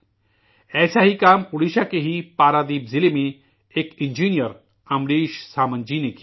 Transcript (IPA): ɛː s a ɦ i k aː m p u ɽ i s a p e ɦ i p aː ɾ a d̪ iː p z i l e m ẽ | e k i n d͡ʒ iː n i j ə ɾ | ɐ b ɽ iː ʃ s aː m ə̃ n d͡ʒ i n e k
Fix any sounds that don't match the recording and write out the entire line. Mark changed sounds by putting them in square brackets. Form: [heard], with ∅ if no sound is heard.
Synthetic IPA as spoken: ɛː s a ɦ i k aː m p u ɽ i [ʃ] a [k] e ɦ i p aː ɾ a d̪ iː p z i l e m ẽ | e k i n d͡ʒ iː n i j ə ɾ | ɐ [m] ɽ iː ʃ s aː m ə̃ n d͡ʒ i n e k